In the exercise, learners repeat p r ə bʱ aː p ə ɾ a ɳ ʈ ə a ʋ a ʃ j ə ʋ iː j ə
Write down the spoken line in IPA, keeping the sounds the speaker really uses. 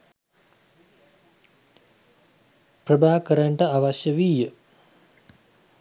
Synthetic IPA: p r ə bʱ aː k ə ɾ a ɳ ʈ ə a ʋ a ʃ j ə ʋ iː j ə